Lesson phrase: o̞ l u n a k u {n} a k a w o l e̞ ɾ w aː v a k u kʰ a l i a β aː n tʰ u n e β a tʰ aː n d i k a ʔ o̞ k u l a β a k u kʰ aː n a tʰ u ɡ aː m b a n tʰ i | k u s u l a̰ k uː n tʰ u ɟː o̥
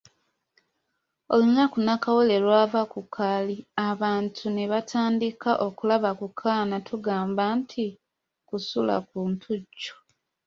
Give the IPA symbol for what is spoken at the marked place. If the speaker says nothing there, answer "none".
n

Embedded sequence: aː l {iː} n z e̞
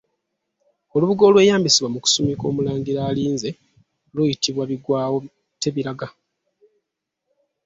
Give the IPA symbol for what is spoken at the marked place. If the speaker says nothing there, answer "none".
iː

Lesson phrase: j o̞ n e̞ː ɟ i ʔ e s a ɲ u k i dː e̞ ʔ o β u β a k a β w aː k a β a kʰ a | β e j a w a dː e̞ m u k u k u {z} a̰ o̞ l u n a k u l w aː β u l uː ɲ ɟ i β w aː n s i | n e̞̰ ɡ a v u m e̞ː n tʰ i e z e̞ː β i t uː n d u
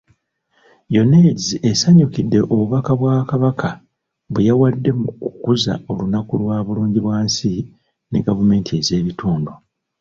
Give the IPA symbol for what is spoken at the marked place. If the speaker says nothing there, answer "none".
z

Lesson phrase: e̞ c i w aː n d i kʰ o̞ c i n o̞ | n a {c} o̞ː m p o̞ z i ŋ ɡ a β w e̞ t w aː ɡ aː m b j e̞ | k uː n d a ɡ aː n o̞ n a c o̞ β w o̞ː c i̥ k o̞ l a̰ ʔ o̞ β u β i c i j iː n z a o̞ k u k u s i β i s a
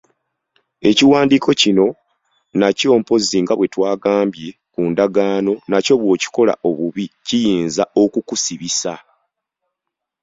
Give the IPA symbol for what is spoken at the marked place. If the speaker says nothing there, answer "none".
c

